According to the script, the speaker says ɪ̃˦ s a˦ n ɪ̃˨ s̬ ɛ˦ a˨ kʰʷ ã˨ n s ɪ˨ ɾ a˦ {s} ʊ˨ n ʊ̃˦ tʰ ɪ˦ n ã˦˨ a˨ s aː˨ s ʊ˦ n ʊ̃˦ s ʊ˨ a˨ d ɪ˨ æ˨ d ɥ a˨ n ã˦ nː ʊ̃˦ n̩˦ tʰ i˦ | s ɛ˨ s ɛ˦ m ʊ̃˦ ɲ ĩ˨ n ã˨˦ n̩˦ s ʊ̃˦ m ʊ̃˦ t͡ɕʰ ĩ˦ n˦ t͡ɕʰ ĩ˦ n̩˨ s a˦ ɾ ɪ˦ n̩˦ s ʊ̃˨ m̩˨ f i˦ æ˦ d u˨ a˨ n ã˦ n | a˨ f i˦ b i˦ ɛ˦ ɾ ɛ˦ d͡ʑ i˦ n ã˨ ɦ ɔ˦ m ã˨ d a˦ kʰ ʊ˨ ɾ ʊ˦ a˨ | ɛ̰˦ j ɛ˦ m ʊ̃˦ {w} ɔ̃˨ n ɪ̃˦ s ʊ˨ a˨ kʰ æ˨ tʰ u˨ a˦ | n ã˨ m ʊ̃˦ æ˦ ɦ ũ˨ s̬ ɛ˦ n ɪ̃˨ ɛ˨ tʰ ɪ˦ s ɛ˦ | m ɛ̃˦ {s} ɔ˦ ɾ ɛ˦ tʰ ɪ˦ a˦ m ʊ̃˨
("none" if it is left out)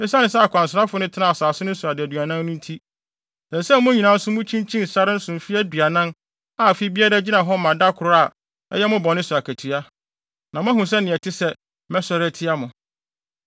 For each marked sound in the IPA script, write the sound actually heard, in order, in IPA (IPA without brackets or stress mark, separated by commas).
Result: f, b, s